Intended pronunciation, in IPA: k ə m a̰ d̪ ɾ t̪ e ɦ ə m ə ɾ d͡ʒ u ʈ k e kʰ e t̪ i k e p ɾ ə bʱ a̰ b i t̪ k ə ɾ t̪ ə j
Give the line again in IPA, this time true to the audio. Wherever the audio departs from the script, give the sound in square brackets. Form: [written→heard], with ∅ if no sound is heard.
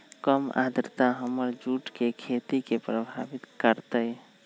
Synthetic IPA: k ə m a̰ d̪ ɾ t̪ [e→a] ɦ ə m ə ɾ d͡ʒ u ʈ k e kʰ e t̪ i k e p ɾ ə bʱ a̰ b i t̪ k ə ɾ t̪ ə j